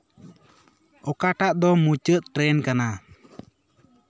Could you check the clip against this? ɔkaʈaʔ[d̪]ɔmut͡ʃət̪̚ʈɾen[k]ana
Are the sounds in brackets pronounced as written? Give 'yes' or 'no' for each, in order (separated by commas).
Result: yes, yes